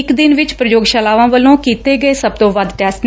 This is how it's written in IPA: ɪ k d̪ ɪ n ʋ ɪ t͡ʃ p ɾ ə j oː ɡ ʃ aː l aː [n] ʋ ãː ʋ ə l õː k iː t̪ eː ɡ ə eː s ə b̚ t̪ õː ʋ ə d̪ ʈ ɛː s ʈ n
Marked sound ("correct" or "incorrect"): incorrect